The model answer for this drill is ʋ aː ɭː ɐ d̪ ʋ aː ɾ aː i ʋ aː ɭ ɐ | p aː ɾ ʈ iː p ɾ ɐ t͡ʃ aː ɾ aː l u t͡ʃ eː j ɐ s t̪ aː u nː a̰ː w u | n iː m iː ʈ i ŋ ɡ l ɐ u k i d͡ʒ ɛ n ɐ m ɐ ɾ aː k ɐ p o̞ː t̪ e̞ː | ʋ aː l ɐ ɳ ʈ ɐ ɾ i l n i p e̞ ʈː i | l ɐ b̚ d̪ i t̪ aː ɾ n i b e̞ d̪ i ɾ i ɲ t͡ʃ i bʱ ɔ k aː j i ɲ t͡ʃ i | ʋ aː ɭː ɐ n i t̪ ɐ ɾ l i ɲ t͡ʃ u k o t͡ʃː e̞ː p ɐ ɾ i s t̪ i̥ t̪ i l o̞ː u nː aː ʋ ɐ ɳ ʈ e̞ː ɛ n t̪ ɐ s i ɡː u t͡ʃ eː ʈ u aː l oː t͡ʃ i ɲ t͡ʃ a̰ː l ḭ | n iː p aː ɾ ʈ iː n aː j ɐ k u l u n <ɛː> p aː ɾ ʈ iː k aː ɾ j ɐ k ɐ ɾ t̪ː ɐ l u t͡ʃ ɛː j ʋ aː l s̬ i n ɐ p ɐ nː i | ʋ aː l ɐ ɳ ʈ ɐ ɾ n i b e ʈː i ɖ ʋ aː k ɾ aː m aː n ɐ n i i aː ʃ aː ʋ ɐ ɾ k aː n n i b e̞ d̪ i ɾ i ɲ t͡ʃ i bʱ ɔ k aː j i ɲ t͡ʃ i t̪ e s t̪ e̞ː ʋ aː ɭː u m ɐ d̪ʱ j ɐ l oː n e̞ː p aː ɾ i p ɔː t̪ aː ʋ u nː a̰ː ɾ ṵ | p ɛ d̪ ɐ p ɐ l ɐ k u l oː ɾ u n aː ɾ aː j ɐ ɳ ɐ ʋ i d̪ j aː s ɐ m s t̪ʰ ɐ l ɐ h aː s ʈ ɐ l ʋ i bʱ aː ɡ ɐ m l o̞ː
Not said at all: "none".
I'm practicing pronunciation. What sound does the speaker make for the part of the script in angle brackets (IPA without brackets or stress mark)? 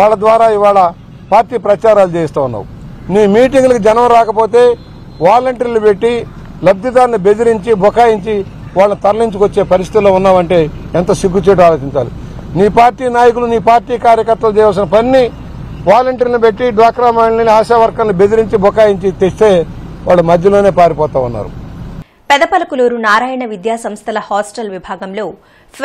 iː